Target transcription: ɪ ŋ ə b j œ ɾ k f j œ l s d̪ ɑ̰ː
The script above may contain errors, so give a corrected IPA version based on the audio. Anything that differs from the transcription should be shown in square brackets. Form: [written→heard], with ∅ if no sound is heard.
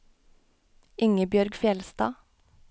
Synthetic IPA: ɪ ŋ ə b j œ ɾ [k→ɡ] f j [œ→ɛ] l s [d̪→t̪] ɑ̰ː